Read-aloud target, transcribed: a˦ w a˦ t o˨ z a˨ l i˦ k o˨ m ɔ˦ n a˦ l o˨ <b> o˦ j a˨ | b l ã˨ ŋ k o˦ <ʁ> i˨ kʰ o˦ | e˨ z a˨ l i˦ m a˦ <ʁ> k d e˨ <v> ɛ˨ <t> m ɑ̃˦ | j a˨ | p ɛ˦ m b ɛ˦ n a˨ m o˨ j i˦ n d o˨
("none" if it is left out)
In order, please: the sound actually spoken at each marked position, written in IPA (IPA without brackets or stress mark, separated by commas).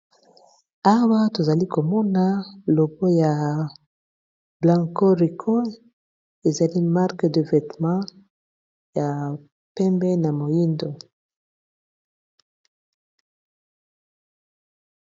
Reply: b, ʁ, ʁ, v, t